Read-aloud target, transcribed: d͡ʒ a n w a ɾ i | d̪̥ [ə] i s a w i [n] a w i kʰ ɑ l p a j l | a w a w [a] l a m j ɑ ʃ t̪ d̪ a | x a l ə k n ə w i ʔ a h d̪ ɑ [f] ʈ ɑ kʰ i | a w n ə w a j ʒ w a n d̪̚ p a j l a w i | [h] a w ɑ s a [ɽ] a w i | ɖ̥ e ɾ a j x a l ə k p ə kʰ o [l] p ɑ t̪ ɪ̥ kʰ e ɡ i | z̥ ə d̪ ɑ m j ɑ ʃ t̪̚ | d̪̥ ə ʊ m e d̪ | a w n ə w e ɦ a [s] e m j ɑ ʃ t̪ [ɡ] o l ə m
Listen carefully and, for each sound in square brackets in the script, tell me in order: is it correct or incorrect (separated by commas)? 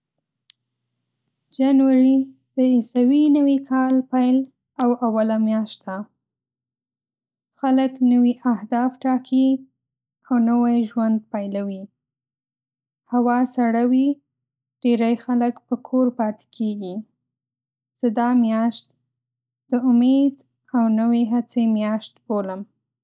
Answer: correct, correct, correct, correct, correct, correct, incorrect, incorrect, incorrect